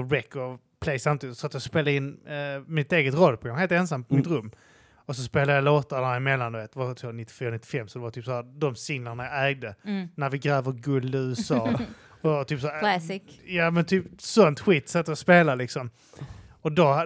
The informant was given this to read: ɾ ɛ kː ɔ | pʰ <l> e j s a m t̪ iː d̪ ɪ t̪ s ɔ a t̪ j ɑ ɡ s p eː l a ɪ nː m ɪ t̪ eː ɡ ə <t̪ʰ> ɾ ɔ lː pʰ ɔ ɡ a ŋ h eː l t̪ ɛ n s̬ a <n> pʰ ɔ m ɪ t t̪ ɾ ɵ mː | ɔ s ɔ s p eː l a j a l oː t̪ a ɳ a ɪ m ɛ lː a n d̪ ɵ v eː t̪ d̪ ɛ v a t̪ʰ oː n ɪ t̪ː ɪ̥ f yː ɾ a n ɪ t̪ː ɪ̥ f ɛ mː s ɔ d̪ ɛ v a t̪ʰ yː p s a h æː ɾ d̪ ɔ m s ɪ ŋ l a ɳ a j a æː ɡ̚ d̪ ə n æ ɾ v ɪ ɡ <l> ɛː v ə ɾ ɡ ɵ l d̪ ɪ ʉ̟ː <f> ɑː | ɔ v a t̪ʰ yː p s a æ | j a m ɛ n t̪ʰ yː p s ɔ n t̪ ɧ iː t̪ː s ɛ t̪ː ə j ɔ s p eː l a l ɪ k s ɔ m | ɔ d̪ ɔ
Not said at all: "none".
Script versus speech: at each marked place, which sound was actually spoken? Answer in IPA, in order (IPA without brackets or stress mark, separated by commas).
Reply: l, t̪, m, ɾ, s